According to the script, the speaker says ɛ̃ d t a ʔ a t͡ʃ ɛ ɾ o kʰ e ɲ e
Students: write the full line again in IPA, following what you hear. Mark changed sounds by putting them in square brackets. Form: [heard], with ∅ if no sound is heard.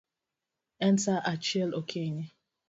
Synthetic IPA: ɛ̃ [n] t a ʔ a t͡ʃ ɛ [l] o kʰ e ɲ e